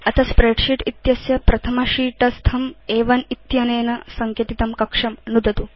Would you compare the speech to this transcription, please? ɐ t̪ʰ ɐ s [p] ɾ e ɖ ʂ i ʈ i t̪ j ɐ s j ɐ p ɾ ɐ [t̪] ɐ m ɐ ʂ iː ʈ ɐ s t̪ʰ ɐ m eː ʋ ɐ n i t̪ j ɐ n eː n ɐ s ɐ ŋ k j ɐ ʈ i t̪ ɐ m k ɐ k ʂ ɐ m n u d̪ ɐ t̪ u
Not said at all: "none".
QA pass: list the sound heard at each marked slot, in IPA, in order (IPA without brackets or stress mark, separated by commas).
p, t̪ʰ